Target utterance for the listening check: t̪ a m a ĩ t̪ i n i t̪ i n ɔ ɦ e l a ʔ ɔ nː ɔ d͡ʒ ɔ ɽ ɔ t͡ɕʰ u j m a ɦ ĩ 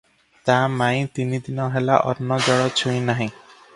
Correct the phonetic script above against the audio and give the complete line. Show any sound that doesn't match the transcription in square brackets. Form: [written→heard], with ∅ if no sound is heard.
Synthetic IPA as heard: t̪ a m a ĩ t̪ i n i [t̪→d̪] i n ɔ ɦ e l a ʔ ɔ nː ɔ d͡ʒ ɔ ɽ ɔ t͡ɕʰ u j [m→n] a ɦ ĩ